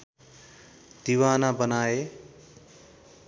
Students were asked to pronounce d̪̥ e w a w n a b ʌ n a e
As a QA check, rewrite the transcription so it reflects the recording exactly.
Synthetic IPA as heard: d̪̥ i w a n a b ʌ n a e